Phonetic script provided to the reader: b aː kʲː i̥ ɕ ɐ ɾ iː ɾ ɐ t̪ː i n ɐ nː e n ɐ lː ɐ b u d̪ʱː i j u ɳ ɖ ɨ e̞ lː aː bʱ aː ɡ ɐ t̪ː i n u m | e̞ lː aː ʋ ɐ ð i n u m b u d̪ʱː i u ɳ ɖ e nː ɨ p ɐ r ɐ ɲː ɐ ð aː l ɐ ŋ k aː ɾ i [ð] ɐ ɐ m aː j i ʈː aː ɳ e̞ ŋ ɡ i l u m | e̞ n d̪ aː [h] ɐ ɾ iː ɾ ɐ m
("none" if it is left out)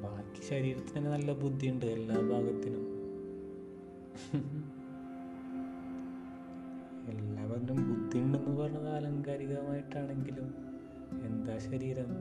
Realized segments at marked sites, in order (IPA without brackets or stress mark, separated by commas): ɣ, ɕ